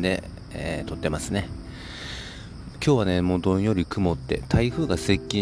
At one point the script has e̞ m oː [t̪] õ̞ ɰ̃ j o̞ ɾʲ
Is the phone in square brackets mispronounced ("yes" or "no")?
yes